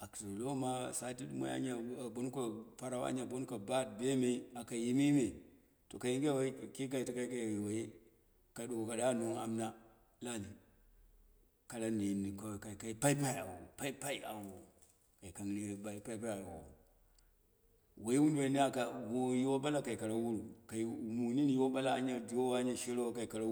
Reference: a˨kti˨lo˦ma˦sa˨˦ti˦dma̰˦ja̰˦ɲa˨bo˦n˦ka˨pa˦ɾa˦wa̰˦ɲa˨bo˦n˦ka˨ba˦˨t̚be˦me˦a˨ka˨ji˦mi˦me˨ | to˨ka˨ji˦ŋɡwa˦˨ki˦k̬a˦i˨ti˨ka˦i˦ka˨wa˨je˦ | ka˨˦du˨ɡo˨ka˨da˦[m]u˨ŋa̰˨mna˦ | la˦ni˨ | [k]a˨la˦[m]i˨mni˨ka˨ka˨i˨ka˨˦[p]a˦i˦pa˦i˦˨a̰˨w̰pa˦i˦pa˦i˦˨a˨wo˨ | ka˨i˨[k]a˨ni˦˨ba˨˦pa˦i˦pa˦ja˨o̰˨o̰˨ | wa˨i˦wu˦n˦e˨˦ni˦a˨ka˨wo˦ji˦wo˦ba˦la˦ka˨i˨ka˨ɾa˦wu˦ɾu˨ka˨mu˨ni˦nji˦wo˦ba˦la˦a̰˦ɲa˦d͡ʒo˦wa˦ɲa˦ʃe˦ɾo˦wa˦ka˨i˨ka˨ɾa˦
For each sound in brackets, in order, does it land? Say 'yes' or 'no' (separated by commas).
no, yes, no, yes, yes